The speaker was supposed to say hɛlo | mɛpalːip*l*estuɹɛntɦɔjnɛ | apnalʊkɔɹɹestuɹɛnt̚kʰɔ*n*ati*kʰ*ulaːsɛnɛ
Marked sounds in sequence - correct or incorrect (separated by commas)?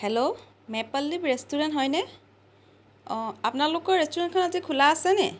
incorrect, correct, correct